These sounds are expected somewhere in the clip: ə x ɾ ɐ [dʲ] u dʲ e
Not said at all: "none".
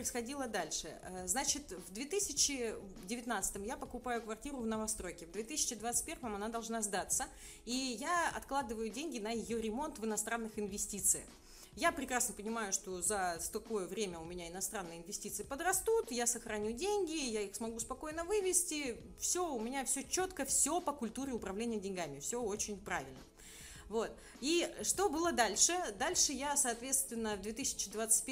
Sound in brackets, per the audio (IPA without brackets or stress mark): nʲ